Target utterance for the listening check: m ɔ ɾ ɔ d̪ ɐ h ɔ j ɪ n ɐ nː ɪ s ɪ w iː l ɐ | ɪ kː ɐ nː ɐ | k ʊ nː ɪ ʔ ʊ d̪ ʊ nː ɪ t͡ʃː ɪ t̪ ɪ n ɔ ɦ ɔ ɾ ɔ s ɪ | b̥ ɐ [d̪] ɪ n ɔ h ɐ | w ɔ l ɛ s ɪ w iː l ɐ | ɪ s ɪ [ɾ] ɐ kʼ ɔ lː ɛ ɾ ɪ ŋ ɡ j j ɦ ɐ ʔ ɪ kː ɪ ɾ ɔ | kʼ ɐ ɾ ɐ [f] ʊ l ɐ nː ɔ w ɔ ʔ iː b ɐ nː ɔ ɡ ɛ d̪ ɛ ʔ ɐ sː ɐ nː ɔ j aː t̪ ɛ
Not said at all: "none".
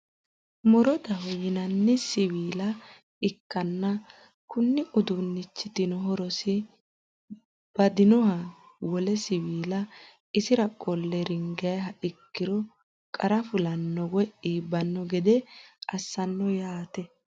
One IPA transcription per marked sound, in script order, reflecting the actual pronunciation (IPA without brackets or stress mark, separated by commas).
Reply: d̪, ɾ, f